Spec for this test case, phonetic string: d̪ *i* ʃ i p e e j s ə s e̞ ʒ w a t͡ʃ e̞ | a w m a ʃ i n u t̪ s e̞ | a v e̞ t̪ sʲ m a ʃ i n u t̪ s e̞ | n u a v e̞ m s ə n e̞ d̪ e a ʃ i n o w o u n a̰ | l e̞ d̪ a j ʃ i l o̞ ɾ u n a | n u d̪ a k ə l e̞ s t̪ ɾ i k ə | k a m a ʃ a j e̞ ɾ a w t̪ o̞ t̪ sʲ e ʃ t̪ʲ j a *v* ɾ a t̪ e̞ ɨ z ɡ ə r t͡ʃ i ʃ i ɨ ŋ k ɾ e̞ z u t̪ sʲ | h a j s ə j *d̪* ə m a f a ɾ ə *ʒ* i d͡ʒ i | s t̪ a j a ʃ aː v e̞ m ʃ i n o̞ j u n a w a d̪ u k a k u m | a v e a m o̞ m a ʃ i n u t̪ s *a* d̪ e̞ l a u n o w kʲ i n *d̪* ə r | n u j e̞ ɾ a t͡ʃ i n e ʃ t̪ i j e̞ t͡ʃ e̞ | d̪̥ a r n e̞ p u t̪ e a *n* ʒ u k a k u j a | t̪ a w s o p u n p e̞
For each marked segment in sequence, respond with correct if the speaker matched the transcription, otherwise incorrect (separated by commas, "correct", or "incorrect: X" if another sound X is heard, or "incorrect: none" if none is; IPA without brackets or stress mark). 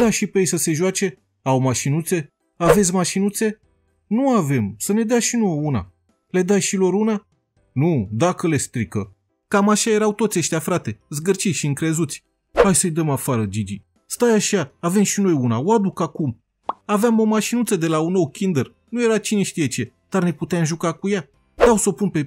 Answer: incorrect: a, incorrect: f, correct, incorrect: d͡ʒ, incorrect: ə, correct, incorrect: m